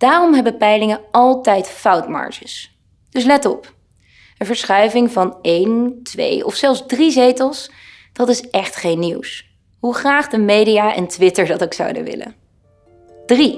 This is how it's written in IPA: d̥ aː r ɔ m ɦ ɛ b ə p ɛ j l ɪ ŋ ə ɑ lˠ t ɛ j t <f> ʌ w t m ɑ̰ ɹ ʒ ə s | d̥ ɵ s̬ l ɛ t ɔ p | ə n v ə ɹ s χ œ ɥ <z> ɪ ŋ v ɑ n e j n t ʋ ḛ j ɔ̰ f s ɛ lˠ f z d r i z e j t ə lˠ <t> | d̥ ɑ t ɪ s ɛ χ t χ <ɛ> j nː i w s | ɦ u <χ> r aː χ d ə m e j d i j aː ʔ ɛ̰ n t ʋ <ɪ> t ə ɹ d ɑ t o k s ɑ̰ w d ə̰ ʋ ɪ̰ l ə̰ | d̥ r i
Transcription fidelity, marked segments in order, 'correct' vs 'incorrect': correct, incorrect, incorrect, incorrect, correct, correct

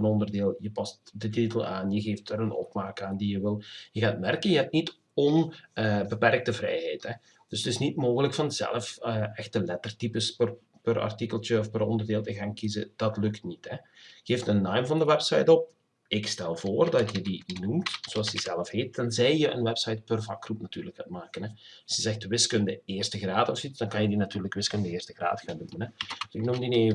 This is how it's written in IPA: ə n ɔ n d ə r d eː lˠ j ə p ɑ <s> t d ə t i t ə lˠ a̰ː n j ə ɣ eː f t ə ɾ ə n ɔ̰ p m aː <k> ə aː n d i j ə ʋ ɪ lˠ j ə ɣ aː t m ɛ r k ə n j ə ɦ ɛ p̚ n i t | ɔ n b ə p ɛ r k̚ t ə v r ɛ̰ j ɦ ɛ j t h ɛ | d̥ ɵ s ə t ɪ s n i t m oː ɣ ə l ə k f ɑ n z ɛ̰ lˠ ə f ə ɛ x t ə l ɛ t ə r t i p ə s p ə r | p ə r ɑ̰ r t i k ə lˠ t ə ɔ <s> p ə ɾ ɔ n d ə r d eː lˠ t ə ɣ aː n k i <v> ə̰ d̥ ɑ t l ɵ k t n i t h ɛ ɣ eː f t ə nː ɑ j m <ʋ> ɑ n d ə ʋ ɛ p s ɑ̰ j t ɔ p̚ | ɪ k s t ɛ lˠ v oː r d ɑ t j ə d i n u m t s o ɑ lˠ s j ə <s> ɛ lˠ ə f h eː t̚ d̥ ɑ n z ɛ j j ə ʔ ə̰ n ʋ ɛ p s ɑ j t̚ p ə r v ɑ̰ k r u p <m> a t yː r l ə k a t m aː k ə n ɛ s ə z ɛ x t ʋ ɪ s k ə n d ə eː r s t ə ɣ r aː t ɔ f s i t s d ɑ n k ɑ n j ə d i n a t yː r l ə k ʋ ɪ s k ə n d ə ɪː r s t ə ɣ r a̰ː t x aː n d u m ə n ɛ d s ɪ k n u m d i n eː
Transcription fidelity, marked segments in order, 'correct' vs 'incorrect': correct, correct, incorrect, incorrect, incorrect, incorrect, incorrect

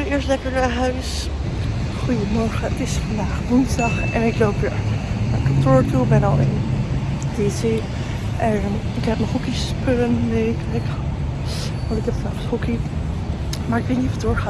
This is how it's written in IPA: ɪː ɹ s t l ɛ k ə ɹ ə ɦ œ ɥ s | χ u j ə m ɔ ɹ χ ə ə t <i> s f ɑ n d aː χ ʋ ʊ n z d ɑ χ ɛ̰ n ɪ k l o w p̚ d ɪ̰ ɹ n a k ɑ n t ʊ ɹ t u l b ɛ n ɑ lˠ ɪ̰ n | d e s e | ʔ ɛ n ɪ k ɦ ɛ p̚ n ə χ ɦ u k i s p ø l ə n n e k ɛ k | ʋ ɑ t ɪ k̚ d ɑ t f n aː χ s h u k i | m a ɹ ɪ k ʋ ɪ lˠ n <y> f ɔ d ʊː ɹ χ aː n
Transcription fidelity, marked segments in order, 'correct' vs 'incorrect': incorrect, incorrect

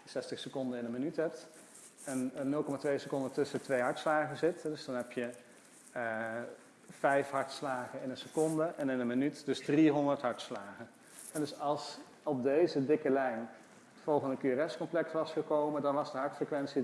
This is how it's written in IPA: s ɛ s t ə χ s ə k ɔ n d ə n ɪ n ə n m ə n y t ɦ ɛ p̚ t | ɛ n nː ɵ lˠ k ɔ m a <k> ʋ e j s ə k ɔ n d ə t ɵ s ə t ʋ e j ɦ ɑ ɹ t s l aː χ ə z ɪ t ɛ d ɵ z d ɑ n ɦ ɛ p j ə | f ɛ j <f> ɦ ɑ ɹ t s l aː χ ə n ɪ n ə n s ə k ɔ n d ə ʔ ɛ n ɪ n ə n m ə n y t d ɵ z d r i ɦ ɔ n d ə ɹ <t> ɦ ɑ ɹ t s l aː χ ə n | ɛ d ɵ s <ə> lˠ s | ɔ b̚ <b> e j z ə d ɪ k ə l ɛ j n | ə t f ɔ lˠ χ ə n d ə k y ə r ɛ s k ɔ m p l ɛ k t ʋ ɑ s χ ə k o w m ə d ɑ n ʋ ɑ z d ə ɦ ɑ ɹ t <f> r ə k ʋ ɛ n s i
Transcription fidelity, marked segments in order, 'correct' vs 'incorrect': incorrect, correct, correct, incorrect, incorrect, correct

